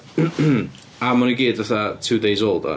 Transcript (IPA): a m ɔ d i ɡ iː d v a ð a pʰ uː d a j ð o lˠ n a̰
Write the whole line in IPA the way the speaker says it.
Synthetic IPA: a m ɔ n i ɡ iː d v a θ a tʰ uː d e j z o lˠ d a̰